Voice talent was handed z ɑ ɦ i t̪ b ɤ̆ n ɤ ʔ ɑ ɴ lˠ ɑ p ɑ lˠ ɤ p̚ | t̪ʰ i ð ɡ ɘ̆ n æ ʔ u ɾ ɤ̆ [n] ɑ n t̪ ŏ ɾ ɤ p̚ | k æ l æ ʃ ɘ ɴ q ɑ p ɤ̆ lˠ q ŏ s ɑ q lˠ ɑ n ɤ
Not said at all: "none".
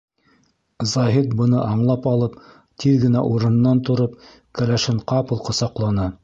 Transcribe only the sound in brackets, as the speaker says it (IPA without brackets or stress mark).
nː